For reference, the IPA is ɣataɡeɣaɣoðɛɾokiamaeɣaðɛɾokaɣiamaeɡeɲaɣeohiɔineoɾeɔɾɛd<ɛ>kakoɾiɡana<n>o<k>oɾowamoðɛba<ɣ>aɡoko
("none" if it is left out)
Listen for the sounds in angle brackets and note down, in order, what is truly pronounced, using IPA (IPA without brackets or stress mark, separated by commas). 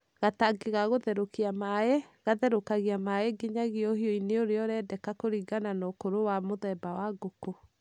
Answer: ɛ, n, k, w